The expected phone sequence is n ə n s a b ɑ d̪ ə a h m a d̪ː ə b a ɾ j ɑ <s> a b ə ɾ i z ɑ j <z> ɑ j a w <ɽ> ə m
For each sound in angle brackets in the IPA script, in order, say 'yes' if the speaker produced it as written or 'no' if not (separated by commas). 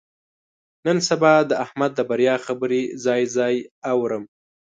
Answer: no, yes, no